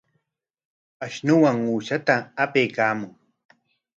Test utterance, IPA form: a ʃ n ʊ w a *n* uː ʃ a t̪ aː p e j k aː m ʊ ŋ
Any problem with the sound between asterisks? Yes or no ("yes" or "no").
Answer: yes